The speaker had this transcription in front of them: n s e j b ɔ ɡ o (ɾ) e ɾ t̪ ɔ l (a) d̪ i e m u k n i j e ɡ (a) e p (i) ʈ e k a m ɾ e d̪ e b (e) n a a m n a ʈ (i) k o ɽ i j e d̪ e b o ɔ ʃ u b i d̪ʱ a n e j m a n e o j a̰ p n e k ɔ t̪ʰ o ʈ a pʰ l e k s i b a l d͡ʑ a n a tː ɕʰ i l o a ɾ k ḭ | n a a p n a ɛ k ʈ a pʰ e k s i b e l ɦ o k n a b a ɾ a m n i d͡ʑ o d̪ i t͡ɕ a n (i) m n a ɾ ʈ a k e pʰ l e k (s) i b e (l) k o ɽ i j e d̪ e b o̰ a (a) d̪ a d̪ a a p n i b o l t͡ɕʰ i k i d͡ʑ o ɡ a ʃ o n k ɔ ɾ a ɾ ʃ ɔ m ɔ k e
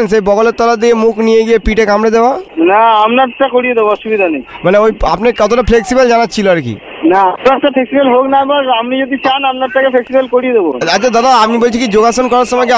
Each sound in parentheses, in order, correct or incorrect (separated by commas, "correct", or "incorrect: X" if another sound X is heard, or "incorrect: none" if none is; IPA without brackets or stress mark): incorrect: l, correct, incorrect: i, correct, incorrect: a, incorrect: a, incorrect: a, correct, correct, correct